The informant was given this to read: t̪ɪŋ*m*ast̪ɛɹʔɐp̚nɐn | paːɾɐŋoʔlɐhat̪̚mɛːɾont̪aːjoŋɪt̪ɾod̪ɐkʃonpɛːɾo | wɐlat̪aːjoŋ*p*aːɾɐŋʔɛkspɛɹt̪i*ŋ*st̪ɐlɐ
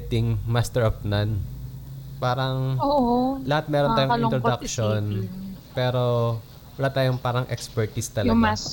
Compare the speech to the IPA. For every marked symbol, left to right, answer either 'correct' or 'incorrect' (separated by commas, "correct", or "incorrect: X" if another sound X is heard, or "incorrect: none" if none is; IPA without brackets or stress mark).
correct, correct, incorrect: none